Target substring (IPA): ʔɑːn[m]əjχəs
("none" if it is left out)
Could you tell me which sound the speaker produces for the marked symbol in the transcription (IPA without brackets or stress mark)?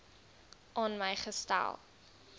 m